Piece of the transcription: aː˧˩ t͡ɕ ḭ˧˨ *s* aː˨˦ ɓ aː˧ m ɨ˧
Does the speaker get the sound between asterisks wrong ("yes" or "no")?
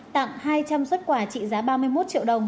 yes